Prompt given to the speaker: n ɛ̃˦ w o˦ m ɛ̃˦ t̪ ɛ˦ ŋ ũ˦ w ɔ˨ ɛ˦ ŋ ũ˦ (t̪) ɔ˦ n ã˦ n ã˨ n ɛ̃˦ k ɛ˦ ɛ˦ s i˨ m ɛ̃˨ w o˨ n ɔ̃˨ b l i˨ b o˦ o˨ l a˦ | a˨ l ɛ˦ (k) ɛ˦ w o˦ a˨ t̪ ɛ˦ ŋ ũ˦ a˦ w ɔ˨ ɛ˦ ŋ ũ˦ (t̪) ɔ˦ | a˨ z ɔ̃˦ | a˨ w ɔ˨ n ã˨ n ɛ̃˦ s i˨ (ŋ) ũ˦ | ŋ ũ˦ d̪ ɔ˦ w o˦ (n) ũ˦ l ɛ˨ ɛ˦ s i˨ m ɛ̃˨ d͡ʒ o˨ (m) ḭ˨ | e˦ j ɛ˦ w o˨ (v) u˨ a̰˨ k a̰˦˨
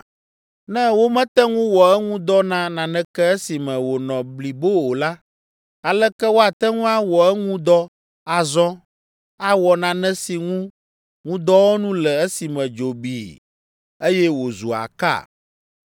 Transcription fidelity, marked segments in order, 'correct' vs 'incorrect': incorrect: d̪, correct, incorrect: d̪, correct, correct, incorrect: b, incorrect: z

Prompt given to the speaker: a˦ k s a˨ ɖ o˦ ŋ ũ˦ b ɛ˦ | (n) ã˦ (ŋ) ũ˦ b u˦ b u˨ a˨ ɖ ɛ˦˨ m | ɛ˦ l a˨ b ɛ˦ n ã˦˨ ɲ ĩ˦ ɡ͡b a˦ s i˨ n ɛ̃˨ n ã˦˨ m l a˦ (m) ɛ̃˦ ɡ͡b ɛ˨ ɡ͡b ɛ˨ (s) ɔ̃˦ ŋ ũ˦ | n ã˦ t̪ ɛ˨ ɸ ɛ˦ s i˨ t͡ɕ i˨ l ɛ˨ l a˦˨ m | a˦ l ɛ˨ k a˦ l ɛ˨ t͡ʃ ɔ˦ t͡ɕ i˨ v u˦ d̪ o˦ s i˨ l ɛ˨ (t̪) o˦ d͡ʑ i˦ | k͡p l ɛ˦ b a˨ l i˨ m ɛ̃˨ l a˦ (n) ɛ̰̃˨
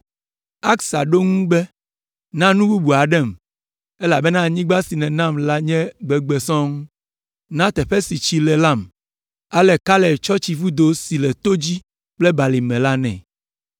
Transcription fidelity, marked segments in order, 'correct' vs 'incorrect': correct, incorrect: n, incorrect: ɲ, correct, correct, correct

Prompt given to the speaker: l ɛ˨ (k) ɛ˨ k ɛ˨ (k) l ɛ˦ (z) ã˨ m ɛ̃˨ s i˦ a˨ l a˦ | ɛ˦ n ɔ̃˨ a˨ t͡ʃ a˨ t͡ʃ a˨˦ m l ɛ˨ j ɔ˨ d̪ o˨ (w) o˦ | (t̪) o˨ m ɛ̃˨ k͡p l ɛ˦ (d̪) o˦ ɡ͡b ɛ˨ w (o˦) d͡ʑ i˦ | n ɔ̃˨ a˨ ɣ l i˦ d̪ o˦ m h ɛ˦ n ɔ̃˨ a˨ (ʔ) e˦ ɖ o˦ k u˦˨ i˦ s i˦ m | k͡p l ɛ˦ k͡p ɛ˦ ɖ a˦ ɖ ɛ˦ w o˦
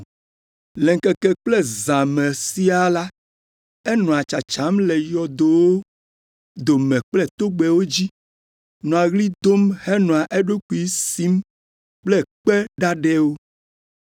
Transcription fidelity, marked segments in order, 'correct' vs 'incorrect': correct, incorrect: k͡p, correct, correct, incorrect: d̪, incorrect: t̪, correct, correct

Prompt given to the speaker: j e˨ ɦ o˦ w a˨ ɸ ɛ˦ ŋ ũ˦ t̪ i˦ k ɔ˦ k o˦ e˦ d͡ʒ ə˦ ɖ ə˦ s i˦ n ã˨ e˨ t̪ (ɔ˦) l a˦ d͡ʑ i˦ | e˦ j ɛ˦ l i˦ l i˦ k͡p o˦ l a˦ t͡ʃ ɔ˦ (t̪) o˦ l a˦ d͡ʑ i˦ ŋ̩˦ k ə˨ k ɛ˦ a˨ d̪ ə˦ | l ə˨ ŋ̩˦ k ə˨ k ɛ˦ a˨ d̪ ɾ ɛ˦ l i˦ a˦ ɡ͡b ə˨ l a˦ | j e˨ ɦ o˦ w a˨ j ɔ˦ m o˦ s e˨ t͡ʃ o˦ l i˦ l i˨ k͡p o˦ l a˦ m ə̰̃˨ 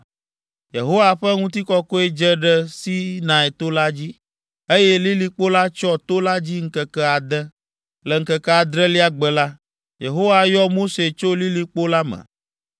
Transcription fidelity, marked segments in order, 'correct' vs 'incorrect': incorrect: o˦, correct

